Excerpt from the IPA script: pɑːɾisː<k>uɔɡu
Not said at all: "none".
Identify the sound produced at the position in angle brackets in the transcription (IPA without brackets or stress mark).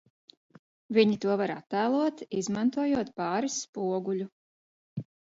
p